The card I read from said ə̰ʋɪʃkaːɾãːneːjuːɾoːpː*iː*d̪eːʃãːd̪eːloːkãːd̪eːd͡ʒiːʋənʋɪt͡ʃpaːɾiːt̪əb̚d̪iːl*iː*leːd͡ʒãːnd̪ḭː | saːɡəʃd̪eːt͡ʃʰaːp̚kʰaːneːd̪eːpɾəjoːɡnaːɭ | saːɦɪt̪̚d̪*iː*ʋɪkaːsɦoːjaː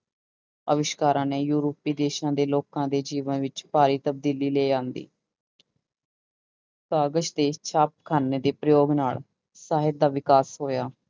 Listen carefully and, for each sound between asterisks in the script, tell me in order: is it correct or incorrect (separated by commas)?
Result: correct, correct, incorrect